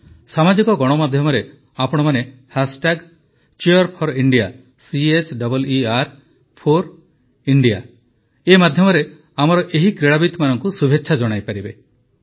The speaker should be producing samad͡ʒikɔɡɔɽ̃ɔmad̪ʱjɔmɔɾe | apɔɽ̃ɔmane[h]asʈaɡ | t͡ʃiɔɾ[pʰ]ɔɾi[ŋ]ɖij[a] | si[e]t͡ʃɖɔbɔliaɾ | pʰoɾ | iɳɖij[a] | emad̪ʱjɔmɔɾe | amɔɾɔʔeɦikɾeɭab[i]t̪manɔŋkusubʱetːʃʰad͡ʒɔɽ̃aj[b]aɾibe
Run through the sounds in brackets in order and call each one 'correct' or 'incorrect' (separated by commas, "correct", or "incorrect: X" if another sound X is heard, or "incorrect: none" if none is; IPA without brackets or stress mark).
correct, correct, incorrect: ɳ, correct, correct, correct, correct, incorrect: p